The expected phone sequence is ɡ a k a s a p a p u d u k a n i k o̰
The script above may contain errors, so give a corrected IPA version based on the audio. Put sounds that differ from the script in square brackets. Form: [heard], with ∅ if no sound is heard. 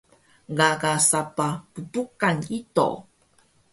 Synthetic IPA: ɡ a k a s a p a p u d u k a n i [t] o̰